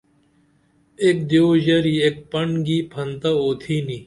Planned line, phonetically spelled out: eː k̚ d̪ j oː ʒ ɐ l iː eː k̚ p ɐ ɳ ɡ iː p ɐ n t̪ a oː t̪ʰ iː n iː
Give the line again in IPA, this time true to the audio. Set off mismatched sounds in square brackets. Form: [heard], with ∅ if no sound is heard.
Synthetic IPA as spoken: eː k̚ d̪ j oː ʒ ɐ [ɾ] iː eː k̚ p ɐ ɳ ɡ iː [pʰ] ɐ n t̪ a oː t̪ʰ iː n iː